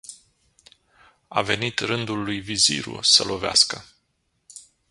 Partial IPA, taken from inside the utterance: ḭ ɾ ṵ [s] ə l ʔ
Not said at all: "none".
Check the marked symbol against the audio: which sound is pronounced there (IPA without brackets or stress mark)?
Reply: s